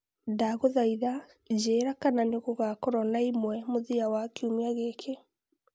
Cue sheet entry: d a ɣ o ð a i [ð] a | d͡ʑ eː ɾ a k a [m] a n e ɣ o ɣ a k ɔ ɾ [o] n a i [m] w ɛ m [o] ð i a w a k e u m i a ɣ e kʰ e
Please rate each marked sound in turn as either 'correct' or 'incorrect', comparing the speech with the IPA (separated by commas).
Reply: correct, incorrect, incorrect, correct, correct